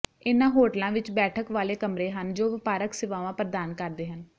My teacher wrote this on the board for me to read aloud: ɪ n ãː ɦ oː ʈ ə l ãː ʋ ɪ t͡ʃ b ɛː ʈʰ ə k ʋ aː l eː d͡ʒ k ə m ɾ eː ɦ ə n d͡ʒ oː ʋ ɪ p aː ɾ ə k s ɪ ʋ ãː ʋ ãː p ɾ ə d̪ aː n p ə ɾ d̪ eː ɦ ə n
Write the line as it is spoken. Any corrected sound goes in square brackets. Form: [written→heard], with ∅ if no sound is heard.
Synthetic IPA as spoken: ɪ n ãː ɦ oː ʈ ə l ãː ʋ ɪ t͡ʃ b ɛː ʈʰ ə k ʋ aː l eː [d͡ʒ→∅] k ə m ɾ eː ɦ ə n d͡ʒ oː ʋ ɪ p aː ɾ ə k s ɪ ʋ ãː ʋ ãː p ɾ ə d̪ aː n [p→k] ə ɾ d̪ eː ɦ ə n